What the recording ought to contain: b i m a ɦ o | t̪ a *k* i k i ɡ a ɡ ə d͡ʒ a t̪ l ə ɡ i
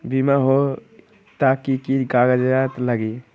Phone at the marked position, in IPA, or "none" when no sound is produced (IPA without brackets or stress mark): k